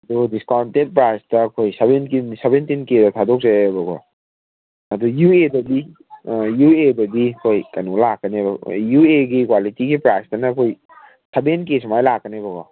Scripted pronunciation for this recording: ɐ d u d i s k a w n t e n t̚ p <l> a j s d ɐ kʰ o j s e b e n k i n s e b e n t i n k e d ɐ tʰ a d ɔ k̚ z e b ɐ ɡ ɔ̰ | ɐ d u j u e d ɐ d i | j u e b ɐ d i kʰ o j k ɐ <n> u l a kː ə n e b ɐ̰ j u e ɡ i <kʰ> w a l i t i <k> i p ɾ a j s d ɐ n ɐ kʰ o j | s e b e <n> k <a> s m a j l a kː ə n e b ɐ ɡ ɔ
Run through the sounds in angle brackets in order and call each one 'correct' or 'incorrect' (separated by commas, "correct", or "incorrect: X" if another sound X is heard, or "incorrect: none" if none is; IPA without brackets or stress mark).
incorrect: ɾ, correct, incorrect: k, incorrect: ɡ, correct, incorrect: e